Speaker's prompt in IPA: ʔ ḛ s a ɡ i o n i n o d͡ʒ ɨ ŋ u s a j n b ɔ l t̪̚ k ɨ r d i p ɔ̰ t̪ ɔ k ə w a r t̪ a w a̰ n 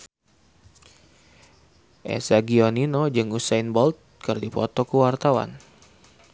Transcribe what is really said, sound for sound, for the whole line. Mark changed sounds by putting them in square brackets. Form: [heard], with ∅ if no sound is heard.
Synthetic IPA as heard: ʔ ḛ s a ɡ i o n i n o d͡ʒ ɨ ŋ u s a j n b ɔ l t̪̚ k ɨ r d i p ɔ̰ t̪ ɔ k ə w a r t̪ a w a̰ n

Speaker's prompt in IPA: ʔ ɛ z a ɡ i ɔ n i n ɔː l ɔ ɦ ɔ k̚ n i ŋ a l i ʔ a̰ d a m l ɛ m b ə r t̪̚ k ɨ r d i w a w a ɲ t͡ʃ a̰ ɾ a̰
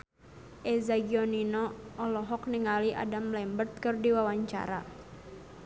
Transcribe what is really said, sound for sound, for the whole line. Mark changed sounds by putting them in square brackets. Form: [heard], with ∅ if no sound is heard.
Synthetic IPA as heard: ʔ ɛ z a ɡ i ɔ n i n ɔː l ɔ ɦ ɔ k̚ n i ŋ a l i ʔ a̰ d a m l ɛ m b ə r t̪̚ k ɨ r d i w a w a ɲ t͡ʃ a̰ ɾ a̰

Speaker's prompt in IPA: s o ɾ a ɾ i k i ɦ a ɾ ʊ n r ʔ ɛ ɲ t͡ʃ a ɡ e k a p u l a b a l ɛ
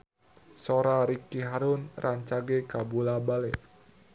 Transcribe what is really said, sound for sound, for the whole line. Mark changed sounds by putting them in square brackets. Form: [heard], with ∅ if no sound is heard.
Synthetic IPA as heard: s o ɾ a ɾ i k i ɦ a ɾ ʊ n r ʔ [a] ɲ t͡ʃ a ɡ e k a [b] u l a b a l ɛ

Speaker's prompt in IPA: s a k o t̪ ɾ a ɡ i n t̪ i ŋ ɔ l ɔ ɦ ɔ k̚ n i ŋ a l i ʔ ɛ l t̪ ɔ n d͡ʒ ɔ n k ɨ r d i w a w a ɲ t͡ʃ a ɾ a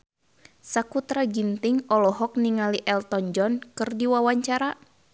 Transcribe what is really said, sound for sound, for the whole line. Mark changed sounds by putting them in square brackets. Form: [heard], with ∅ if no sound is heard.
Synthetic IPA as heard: s a k [u] t̪ ɾ a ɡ i n t̪ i ŋ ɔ l ɔ ɦ ɔ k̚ n i ŋ a l i ʔ ɛ l t̪ ɔ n d͡ʒ ɔ n k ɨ r d i w a w a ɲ t͡ʃ a ɾ a

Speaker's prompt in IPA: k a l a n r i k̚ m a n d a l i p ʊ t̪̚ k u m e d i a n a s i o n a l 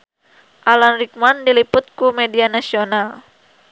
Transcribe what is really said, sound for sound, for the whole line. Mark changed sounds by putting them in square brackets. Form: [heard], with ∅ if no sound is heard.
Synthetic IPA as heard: [ʔ] a l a n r i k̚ m a n d [i] l i p ʊ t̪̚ k u m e d i a n a s i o n a l

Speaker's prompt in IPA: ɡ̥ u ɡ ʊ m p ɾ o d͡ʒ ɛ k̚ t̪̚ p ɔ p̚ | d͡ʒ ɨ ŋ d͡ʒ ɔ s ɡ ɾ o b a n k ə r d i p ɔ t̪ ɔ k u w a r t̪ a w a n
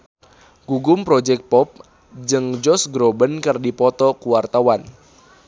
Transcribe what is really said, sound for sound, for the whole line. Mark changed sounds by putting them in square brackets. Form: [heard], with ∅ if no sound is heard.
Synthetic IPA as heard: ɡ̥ u ɡ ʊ m p ɾ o d͡ʒ ɛ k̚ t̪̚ p ɔ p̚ | d͡ʒ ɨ ŋ d͡ʒ ɔ s ɡ ɾ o b [ə] n k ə r d i p ɔ t̪ ɔ k u w a r t̪ a w a n

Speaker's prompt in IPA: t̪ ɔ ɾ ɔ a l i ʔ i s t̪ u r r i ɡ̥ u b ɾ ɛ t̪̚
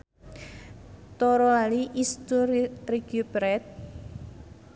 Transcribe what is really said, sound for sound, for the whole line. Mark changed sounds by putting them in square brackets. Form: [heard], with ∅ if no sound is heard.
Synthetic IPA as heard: t̪ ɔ ɾ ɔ a l i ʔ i s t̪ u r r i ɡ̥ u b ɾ ɛ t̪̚

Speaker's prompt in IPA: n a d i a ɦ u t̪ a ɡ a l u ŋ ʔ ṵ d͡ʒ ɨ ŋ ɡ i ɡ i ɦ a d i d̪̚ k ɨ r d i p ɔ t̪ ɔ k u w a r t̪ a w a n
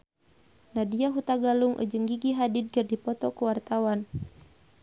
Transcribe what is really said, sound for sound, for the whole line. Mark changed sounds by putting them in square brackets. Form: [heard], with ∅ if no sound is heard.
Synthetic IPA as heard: n a d i a ɦ u t̪ a ɡ a l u ŋ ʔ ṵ d͡ʒ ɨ ŋ ɡ i ɡ i ɦ a d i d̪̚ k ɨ r d i p ɔ t̪ ɔ k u w a r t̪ a w a n

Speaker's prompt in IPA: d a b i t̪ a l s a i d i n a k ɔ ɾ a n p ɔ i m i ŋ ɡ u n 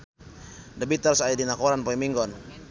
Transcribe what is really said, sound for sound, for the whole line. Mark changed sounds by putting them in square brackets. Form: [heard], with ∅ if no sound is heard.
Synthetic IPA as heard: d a b i t̪ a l s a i d i n a k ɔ ɾ a n p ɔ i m i ŋ ɡ [ɔ] n

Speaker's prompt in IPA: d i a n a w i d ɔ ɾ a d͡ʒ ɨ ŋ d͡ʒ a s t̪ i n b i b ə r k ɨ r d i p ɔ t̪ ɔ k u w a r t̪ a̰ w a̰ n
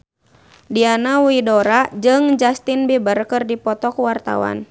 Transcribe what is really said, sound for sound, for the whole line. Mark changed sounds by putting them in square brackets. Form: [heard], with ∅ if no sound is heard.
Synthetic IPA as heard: d i a n a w i d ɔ ɾ a d͡ʒ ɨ ŋ d͡ʒ a s t̪ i n b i b ə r k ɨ r d i p ɔ t̪ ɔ k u w a r t̪ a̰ w a̰ n

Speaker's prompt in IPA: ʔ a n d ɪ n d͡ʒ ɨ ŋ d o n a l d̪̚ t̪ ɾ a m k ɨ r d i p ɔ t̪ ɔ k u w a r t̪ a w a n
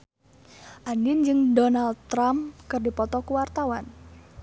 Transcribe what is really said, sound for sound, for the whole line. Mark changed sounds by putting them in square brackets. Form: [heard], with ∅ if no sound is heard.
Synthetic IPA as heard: ʔ a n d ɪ n d͡ʒ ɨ ŋ d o n a l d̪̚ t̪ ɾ a m k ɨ r d i p ɔ t̪ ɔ k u w a r t̪ a w a n

